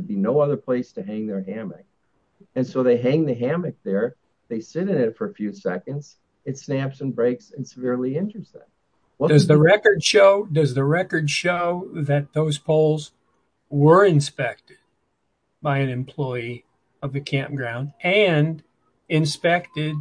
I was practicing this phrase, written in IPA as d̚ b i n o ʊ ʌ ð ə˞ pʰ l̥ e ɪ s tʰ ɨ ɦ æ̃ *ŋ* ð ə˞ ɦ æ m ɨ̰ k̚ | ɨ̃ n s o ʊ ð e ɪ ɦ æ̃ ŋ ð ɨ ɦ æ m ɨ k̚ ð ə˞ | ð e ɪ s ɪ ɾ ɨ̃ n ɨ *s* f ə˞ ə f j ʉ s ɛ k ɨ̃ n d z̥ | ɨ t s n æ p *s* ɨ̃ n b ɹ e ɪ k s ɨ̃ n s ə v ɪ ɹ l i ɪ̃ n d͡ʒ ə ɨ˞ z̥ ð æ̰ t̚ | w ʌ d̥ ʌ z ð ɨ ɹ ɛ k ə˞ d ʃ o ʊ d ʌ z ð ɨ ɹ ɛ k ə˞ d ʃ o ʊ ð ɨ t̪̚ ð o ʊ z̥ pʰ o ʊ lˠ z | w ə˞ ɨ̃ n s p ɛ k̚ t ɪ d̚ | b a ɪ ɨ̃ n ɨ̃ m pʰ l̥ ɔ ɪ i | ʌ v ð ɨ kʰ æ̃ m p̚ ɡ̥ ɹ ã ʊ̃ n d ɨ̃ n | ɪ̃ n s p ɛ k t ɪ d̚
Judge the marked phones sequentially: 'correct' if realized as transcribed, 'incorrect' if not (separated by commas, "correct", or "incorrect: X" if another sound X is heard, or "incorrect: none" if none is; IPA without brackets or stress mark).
correct, incorrect: t, correct